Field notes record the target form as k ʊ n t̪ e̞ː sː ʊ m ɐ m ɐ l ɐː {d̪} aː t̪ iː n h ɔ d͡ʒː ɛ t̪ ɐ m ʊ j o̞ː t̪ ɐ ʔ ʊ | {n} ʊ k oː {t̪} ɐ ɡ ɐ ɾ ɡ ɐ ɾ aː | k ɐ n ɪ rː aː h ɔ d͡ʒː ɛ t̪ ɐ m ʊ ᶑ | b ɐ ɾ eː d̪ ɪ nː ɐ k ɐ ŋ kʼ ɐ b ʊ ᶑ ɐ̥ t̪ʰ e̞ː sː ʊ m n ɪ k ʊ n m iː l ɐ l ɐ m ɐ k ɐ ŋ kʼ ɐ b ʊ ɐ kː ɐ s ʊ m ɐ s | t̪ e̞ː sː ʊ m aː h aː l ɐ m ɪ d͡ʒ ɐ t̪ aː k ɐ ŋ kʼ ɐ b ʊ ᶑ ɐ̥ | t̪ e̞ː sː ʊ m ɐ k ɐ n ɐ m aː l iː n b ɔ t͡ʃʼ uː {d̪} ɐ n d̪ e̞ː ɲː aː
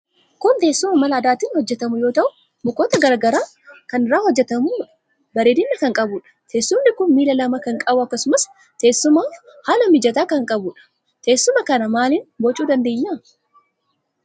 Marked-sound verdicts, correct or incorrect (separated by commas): correct, incorrect, correct, correct